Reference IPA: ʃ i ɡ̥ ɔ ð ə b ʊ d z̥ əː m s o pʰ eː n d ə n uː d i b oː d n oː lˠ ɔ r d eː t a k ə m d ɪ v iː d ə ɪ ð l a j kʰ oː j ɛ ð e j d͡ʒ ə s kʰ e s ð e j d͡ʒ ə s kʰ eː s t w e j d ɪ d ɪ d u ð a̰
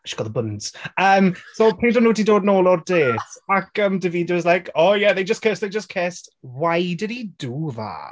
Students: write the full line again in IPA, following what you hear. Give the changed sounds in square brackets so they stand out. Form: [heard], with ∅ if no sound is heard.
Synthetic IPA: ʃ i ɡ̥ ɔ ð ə b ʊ [n] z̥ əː m s o pʰ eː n d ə n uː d i [d] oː d n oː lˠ ɔ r d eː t a k ə m d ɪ v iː d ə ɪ [z] l a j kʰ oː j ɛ ð e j d͡ʒ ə s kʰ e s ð e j d͡ʒ ə s kʰ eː s t w [a] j d ɪ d [i] d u ð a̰

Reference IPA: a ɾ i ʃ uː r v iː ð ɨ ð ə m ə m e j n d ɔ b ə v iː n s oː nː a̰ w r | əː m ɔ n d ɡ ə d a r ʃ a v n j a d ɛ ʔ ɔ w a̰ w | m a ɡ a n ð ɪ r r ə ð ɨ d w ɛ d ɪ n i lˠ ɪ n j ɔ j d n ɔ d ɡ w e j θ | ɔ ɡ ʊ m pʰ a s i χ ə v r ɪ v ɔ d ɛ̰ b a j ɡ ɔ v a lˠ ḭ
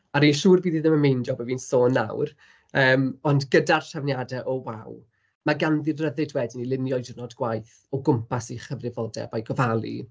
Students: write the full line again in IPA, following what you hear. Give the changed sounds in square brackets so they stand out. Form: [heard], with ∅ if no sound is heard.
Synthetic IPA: a ɾ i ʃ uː r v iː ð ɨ ð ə m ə m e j n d ɔ b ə v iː n s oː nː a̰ w r | əː m ɔ n d ɡ ə d a r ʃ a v n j a d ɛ ʔ ɔ w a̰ w | m a ɡ a n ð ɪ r r ə ð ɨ d w ɛ d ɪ n i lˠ ɪ n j ɔ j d n ɔ d ɡ w [a] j θ | ɔ ɡ ʊ m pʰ a s i χ ə v r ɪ v ɔ d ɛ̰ b a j ɡ ɔ v a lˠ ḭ

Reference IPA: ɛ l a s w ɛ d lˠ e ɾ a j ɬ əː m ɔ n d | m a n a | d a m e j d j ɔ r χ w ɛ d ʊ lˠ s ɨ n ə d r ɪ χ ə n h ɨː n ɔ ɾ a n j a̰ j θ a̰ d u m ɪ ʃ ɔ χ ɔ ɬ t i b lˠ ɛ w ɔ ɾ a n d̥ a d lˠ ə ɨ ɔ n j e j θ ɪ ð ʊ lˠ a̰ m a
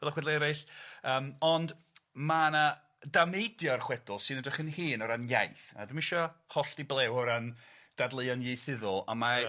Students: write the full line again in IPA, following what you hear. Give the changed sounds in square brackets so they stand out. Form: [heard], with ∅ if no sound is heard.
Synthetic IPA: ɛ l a [χ] w ɛ d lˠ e ɾ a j ɬ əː m ɔ n d | m a n a | d a m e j d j ɔ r χ w ɛ d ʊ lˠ s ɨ n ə d r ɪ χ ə n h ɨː n ɔ ɾ a n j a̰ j θ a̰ d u m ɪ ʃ ɔ [h] ɔ ɬ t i b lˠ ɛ w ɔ ɾ a n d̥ a d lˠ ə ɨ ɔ n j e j θ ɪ ð ʊ lˠ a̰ m a

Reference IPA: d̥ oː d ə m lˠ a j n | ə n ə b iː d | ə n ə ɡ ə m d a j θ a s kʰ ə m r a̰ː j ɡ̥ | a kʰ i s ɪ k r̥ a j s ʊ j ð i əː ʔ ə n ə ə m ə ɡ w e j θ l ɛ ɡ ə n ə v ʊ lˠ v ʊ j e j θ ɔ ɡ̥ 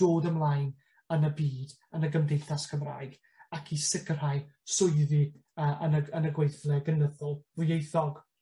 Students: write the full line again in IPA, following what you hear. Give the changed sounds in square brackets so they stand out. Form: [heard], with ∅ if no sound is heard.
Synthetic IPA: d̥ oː d ə m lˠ a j n | ə n ə b iː d | ə n ə ɡ ə m d [e] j θ a s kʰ ə m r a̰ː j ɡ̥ | a kʰ i s ɪ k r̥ a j s ʊ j ð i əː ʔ ə n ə ə [n] ə ɡ w e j θ l ɛ ɡ ə n ə [ð] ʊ lˠ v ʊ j e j θ ɔ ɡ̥

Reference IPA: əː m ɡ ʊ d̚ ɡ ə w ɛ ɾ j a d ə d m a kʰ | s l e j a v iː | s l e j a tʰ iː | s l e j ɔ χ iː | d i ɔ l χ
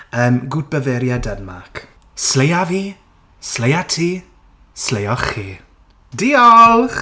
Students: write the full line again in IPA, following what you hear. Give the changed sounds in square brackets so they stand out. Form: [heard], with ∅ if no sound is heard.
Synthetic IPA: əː m ɡ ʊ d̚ [b] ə [v] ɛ ɾ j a d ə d m a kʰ | s l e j a v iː | s l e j a tʰ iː | s l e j ɔ χ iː | d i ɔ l χ

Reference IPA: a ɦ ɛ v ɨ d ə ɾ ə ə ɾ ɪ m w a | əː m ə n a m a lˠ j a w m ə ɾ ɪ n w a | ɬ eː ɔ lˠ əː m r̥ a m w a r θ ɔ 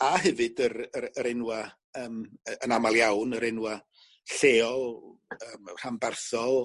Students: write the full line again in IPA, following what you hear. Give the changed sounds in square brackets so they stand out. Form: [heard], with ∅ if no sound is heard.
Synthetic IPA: a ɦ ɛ v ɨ d ə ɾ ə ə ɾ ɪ [n] w a | əː m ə n a m a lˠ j a w [n] ə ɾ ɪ n w a | ɬ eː ɔ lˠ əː m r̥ a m [b] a r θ ɔ

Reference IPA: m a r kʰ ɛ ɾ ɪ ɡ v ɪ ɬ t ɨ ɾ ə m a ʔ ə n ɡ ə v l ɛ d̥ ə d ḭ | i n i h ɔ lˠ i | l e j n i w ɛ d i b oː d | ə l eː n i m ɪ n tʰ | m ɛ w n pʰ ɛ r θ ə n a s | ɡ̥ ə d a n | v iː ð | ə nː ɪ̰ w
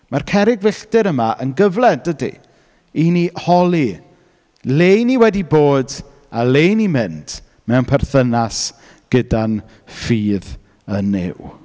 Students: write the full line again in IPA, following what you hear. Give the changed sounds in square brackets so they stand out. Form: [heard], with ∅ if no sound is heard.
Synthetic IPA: m a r kʰ ɛ ɾ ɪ ɡ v ɪ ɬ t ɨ ɾ ə m a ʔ ə n ɡ ə v l ɛ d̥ ə d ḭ | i n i h ɔ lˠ i | l e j n i w ɛ d i b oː d | [a] l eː n i m ɪ n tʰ | m ɛ w n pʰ ɛ r θ ə n a s | ɡ̥ ə d a n | [f] iː ð | ə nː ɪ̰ w

